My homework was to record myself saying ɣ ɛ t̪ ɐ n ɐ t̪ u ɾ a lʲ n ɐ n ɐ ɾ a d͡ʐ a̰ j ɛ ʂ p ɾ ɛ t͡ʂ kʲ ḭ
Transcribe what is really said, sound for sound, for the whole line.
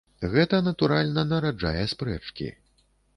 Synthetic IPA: ɣ ɛ t̪ ɐ n ɐ t̪ u ɾ a lʲ n ɐ n ɐ ɾ a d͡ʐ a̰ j ɛ s p ɾ ɛ t͡ʂ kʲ ḭ